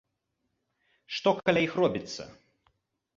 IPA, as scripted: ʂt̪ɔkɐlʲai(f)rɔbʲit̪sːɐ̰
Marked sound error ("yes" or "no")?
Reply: yes